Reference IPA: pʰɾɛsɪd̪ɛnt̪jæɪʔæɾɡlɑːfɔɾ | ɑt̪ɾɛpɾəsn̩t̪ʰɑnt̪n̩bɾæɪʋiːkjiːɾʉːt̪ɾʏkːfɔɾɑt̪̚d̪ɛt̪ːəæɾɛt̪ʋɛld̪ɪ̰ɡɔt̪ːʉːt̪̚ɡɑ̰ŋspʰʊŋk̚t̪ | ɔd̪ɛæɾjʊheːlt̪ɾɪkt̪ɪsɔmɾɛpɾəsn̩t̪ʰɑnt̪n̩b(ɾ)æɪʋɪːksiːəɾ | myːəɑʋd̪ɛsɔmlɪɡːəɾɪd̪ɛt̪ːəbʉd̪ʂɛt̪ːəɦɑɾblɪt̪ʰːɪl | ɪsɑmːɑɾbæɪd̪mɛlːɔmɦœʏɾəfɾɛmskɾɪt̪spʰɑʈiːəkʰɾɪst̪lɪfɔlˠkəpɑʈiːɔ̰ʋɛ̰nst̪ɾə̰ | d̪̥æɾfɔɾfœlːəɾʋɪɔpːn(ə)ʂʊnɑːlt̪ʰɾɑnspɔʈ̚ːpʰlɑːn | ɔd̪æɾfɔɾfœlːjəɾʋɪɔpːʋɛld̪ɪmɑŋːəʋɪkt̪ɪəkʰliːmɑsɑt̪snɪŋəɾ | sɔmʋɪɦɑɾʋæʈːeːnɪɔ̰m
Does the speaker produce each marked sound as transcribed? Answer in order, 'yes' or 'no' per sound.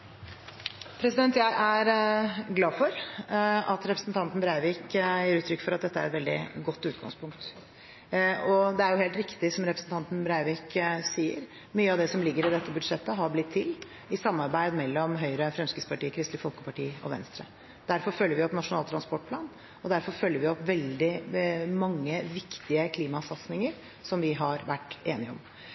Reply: yes, no

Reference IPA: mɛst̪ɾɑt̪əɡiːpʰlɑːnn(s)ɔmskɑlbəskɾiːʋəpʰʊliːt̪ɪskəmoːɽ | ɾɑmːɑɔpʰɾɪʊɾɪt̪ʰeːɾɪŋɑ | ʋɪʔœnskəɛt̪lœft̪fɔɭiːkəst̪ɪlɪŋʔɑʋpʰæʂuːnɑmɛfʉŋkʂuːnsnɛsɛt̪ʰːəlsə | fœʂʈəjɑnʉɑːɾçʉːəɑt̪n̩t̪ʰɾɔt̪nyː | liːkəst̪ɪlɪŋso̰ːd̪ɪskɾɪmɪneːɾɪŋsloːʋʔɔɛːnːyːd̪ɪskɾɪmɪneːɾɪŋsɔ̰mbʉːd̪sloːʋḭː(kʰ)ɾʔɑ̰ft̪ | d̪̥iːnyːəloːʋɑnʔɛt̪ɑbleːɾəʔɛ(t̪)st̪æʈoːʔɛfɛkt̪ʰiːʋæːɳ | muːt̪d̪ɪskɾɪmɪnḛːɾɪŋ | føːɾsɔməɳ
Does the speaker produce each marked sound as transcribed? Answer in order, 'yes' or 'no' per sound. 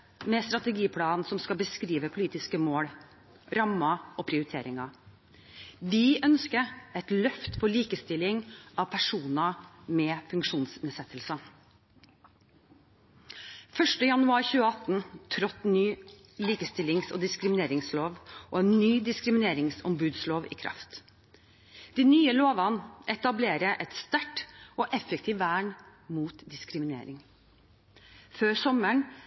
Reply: yes, yes, yes

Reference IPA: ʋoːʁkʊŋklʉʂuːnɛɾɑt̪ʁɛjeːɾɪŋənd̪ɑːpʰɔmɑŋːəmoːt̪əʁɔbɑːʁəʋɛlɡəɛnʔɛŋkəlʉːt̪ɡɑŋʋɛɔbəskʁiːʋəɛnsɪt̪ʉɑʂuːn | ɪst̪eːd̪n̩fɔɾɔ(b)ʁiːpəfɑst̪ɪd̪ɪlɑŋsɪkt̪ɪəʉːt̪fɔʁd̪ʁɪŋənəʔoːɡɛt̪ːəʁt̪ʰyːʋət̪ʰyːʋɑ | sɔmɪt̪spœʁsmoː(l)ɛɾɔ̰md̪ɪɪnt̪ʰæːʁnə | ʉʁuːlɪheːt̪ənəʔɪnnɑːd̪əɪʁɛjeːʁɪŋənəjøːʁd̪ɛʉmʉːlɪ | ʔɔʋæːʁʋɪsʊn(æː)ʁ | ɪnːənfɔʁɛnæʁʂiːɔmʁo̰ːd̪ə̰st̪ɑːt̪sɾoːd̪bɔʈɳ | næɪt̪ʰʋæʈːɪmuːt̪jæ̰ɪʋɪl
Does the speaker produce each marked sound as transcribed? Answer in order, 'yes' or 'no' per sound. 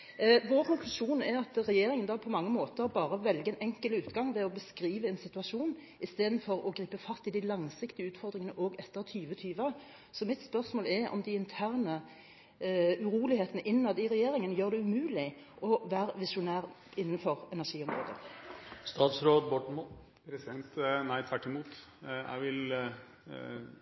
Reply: no, yes, yes

